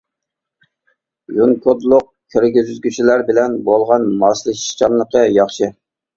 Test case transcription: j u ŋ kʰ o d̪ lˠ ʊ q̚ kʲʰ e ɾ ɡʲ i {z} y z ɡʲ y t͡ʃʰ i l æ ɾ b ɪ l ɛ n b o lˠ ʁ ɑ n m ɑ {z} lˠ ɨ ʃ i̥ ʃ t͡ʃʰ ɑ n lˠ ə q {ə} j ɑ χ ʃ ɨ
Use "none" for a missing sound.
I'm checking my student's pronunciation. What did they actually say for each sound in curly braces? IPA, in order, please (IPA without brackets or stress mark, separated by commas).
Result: z, s, ə